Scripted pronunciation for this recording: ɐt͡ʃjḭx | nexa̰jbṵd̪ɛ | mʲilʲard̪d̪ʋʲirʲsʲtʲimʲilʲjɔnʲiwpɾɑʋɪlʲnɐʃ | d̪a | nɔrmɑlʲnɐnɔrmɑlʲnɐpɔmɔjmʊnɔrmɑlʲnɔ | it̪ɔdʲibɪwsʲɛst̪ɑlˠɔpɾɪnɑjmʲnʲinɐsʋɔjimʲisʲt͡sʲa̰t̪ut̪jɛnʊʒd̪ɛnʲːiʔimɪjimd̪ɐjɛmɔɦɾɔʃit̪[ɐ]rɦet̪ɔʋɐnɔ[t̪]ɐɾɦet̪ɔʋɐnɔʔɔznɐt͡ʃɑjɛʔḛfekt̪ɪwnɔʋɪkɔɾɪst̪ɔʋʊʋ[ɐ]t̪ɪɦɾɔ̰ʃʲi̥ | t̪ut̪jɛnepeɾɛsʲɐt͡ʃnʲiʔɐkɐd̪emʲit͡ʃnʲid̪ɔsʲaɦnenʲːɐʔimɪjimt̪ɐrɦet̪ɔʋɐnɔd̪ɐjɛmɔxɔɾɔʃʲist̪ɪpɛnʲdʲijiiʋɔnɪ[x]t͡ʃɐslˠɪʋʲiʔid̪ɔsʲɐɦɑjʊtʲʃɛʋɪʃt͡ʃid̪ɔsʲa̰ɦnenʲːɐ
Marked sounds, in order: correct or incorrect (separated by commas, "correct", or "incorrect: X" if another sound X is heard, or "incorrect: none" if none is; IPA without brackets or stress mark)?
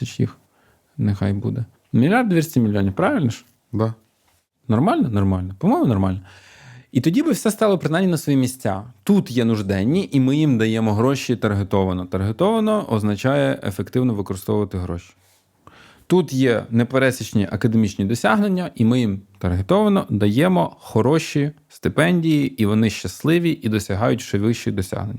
correct, correct, correct, incorrect: ʃ